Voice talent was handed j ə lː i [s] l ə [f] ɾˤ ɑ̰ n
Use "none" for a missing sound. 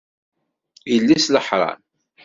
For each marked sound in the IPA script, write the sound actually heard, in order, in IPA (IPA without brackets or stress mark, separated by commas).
s, ħ